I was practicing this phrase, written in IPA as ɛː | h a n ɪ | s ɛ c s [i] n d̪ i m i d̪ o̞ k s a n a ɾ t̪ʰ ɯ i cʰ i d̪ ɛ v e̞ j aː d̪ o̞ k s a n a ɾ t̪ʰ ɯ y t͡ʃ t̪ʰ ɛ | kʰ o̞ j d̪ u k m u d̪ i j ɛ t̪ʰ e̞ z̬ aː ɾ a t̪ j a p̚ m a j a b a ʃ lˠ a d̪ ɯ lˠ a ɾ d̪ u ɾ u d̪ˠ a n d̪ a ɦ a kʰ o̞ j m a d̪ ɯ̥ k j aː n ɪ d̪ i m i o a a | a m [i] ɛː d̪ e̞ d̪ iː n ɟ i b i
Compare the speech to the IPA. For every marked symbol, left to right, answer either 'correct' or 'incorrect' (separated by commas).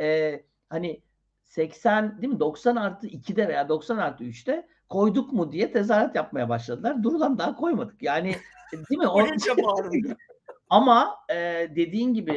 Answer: incorrect, incorrect